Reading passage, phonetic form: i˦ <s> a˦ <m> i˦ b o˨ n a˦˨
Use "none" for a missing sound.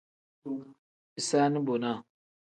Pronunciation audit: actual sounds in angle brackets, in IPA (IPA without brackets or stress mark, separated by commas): s, n